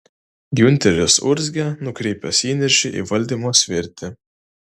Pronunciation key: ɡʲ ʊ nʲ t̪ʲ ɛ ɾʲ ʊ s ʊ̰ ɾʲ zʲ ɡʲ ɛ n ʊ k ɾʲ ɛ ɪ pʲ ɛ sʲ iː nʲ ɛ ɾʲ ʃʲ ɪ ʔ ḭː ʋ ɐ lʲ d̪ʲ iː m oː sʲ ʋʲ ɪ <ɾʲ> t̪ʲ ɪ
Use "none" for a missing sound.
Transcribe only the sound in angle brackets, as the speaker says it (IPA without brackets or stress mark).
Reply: ɾʲ